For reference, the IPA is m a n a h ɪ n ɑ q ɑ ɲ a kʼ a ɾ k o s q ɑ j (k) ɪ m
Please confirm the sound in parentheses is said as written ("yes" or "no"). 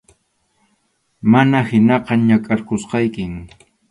yes